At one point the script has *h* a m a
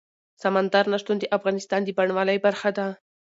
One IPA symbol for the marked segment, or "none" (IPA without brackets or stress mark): s